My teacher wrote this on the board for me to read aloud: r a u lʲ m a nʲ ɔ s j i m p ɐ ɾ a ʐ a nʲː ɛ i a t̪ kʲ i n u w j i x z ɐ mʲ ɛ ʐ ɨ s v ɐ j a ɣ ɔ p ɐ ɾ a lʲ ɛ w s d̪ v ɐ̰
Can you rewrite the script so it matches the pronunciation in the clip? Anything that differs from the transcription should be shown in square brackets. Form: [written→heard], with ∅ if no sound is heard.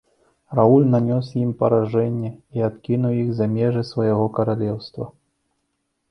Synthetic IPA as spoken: r a u lʲ [m→n] a nʲ ɔ s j i m p ɐ ɾ a ʐ [a→ɛ] nʲː ɛ i a t̪ kʲ i n u w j i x z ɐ mʲ ɛ ʐ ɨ s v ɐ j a ɣ ɔ [p→k] ɐ ɾ a lʲ ɛ w s [d̪→t̪] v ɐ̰

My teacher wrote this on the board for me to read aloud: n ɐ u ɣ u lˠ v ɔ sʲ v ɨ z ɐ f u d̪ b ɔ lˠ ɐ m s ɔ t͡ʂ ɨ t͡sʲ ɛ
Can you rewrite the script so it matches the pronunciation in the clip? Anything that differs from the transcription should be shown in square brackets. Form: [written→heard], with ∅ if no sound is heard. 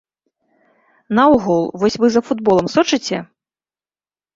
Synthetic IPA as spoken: n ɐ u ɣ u lˠ v ɔ sʲ v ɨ z ɐ f u d̪ b ɔ lˠ ɐ m s ɔ t͡ʂ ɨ t͡sʲ ɛ

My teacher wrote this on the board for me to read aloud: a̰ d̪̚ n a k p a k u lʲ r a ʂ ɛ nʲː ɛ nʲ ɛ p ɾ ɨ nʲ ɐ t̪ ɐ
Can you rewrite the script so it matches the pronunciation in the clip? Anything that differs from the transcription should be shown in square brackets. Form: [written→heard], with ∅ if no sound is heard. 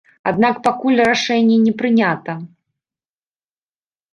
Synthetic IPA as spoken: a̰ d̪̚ n a k p a k u lʲ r a ʂ ɛ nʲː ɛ nʲ ɛ p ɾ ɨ nʲ [ɐ→a] t̪ ɐ

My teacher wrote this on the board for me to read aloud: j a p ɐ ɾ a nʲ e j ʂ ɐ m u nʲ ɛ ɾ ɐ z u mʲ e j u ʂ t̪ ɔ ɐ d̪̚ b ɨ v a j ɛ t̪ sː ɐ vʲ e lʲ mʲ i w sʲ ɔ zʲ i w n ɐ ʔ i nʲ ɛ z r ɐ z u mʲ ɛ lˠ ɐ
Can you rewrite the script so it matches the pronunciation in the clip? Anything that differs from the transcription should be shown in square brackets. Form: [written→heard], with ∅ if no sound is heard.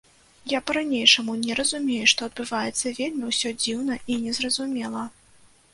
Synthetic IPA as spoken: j a p ɐ ɾ a nʲ e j ʂ ɐ m u nʲ ɛ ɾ ɐ z u mʲ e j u ʂ t̪ ɔ ɐ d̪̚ b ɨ v a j ɛ t̪ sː ɐ vʲ e lʲ mʲ i w sʲ ɔ [zʲ→d͡zʲ] i w n ɐ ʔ i nʲ ɛ z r ɐ z u mʲ ɛ lˠ ɐ

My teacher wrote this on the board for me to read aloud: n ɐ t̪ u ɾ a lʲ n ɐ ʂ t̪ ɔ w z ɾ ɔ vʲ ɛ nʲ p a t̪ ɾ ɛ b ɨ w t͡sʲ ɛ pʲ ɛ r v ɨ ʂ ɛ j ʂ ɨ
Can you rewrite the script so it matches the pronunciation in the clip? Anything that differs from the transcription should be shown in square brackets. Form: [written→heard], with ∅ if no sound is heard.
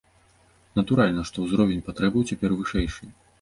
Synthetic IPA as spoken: n ɐ t̪ u ɾ a lʲ n ɐ ʂ t̪ ɔ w z ɾ ɔ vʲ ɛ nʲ p a t̪ ɾ ɛ b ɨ w t͡sʲ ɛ pʲ ɛ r v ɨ ʂ ɛ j ʂ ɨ

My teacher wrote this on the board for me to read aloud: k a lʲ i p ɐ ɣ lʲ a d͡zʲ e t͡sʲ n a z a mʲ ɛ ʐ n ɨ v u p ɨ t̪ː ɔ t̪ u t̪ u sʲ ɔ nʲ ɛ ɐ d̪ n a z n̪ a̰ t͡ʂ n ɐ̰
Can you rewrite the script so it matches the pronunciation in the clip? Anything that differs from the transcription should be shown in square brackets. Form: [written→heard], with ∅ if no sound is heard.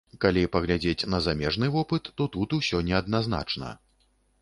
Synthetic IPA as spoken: k a lʲ i p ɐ ɣ lʲ a d͡zʲ e t͡sʲ n [a→ɐ] z a mʲ ɛ ʐ n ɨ v [u→ɔ] p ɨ t̪ː ɔ t̪ u t̪ u sʲ ɔ nʲ ɛ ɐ d̪ n a z n̪ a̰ t͡ʂ n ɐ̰

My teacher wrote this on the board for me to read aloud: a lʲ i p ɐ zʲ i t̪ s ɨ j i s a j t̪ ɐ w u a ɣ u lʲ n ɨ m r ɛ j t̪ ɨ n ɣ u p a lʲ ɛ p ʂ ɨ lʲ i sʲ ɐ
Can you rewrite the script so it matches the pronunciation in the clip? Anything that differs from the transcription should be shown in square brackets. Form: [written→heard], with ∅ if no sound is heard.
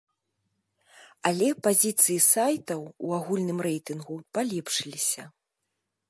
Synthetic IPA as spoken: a lʲ [i→ɛ] p [ɐ→a] zʲ i t̪ s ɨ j i s a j t̪ ɐ w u a ɣ u lʲ n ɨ m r ɛ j t̪ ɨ n ɣ u p a lʲ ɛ p ʂ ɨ lʲ i sʲ ɐ

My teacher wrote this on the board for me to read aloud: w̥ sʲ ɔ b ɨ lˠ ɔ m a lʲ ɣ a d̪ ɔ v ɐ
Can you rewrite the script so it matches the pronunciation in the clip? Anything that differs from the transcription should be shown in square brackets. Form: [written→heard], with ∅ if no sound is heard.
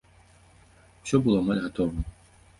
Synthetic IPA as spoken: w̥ sʲ ɔ b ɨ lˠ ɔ m a lʲ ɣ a [d̪→t̪] ɔ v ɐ

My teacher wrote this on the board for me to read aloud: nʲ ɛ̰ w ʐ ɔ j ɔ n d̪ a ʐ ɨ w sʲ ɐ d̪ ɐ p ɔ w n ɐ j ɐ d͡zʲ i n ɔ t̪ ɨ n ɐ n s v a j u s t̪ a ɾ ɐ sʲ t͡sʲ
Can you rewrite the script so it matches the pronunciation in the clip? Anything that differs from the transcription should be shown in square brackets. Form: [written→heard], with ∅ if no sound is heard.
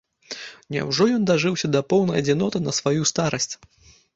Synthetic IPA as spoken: nʲ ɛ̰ w ʐ ɔ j ɔ n d̪ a ʐ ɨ w sʲ ɐ d̪ ɐ p ɔ w n ɐ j ɐ d͡zʲ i n ɔ t̪ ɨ n ɐ [n→∅] s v a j u s t̪ a ɾ ɐ sʲ t͡sʲ

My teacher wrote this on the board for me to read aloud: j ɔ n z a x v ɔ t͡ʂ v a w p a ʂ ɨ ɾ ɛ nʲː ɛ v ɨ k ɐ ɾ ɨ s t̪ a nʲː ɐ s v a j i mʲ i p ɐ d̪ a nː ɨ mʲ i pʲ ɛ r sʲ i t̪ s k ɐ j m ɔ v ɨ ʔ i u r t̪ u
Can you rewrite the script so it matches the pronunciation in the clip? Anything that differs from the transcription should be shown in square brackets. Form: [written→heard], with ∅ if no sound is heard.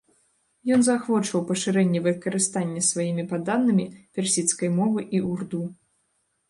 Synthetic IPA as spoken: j ɔ n z a x v ɔ t͡ʂ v [a→ɐ] w p [a→ɐ] ʂ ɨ ɾ ɛ nʲː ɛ v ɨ k ɐ ɾ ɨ s t̪ a nʲː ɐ s v a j i mʲ i p [ɐ→a] d̪ a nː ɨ mʲ i pʲ ɛ r sʲ i t̪ s k ɐ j m ɔ v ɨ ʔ i u r [t̪→d̪] u

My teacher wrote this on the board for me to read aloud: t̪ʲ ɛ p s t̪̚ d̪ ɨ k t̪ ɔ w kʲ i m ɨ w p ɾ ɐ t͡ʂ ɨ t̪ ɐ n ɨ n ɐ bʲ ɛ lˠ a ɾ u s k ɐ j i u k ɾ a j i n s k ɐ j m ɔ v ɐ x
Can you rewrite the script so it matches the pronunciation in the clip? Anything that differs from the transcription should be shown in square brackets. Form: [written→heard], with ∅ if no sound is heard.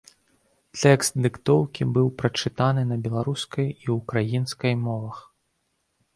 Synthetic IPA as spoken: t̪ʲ ɛ [p→k] s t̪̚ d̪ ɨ k t̪ ɔ w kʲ i [m→b] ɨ w p ɾ ɐ t͡ʂ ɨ t̪ [ɐ→a] n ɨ n ɐ bʲ ɛ lˠ a ɾ u s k ɐ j i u k ɾ a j i n s k ɐ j m ɔ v ɐ x

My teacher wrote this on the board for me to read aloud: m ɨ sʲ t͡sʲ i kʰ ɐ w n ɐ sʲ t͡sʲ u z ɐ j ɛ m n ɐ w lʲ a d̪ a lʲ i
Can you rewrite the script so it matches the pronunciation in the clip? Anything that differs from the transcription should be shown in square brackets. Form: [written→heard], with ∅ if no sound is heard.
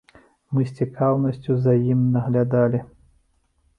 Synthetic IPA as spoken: m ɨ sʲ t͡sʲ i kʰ [ɐ→a] w n ɐ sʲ t͡sʲ u z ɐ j [ɛ→i] m n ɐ [w→ɣ] lʲ a d̪ a lʲ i

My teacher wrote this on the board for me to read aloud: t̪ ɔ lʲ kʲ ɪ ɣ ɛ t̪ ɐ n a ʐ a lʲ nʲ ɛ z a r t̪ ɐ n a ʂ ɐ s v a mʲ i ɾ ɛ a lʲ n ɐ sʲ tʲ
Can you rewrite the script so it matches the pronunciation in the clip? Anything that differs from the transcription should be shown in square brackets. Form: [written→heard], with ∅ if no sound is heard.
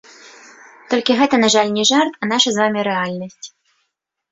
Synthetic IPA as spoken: t̪ ɔ lʲ kʲ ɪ ɣ ɛ t̪ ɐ n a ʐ a lʲ nʲ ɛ [z→ʐ] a r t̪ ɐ n a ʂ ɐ [s→z] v a mʲ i ɾ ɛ a lʲ n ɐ sʲ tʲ

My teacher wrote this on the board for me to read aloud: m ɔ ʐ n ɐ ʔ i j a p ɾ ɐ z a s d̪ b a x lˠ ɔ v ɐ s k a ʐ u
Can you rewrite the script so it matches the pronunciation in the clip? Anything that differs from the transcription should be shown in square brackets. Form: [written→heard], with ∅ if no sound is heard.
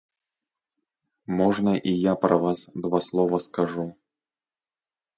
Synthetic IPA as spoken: m ɔ ʐ n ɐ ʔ i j a p ɾ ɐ [z→v] a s d̪ [b→v] a [x→s] lˠ ɔ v ɐ s k a ʐ u

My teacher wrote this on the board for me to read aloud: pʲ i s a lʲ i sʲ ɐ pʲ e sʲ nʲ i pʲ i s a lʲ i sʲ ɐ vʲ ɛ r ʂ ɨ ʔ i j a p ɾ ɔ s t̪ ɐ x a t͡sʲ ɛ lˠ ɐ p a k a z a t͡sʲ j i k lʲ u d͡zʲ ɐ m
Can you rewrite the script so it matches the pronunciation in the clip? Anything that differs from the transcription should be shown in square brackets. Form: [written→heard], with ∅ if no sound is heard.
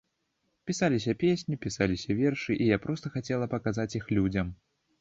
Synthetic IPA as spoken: pʲ i s a lʲ i sʲ ɐ pʲ e sʲ nʲ i pʲ i s a lʲ i sʲ ɐ vʲ ɛ r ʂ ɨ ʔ i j a p ɾ ɔ s t̪ ɐ x a t͡sʲ ɛ lˠ ɐ p [a→ɐ] k a z a t͡sʲ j i [k→x] lʲ u d͡zʲ ɐ m

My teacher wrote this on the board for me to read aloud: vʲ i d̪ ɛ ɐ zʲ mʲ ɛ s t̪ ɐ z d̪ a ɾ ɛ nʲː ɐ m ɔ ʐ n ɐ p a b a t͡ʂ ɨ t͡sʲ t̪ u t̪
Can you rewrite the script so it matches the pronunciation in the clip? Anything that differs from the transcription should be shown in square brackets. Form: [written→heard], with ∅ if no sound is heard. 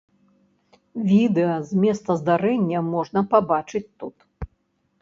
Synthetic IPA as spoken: vʲ i d̪ ɛ ɐ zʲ mʲ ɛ s t̪ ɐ z d̪ a ɾ ɛ nʲː ɐ m ɔ ʐ n ɐ p a b a t͡ʂ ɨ t͡sʲ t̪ u t̪

